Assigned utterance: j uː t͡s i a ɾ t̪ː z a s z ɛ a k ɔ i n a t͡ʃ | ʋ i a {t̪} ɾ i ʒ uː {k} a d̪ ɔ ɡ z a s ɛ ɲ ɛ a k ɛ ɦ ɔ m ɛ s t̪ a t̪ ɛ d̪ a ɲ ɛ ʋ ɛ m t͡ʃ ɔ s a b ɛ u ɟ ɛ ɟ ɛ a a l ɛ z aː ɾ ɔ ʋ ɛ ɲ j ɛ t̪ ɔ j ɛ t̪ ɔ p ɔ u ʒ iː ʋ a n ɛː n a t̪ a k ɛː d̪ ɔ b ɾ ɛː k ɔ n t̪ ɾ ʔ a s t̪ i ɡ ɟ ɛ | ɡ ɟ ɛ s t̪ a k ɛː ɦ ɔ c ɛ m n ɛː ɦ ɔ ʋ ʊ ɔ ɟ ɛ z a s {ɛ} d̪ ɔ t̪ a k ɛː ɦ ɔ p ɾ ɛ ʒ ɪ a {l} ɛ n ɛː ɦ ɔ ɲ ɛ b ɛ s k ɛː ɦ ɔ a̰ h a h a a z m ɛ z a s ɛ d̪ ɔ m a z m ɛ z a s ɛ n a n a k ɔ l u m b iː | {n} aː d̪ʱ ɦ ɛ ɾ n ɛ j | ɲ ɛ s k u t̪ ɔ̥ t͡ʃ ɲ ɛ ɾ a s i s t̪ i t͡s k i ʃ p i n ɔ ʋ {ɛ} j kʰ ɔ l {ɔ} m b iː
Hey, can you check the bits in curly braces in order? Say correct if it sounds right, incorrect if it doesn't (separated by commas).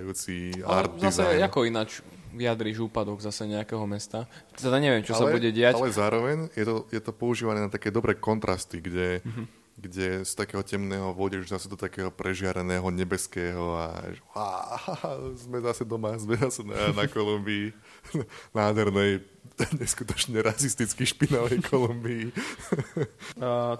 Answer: incorrect, incorrect, correct, incorrect, correct, correct, incorrect